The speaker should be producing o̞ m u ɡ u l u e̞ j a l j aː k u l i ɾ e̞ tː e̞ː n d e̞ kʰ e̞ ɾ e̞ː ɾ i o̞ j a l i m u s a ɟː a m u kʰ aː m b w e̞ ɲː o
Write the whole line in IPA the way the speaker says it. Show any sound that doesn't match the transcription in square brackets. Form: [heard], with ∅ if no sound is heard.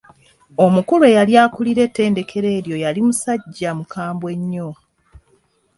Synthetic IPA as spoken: o̞ m u [k] u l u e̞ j a l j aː k u l i ɾ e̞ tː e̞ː n d e̞ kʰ e̞ ɾ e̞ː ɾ [j] o̞ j a l i m u s a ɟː a m u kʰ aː m b w e̞ ɲː o